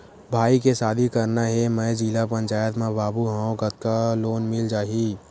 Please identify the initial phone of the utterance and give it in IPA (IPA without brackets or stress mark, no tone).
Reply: bʱ